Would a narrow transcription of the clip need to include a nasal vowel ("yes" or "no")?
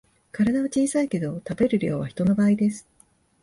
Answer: no